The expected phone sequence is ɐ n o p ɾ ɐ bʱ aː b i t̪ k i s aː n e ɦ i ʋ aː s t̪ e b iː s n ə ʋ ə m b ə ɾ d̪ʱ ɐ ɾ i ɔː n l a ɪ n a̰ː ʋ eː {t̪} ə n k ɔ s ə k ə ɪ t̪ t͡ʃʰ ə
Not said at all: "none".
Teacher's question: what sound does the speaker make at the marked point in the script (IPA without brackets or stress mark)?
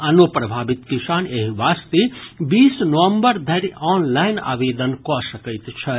d̪